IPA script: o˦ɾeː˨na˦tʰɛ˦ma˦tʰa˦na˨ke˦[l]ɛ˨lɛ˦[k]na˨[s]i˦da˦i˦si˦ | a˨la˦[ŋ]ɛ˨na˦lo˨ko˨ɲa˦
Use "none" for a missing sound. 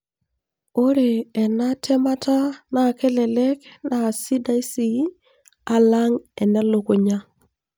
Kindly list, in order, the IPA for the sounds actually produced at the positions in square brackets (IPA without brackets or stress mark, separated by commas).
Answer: l, k, s, ŋ